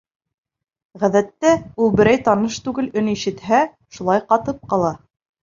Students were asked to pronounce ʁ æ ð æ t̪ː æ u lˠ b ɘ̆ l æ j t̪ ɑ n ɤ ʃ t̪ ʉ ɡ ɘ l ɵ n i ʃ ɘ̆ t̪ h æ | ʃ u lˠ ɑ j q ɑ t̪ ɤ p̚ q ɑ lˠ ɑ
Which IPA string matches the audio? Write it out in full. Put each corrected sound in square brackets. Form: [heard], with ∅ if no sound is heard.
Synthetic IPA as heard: ʁ æ ð æ t̪ː æ u lˠ b ɘ̆ [ɾ] æ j t̪ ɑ n ɤ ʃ t̪ ʉ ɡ ɘ l ɵ n i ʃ ɘ̆ t̪ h æ | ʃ u lˠ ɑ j q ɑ t̪ ɤ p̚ q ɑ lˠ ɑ